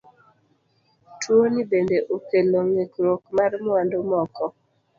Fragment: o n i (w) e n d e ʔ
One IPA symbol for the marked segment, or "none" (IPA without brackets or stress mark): b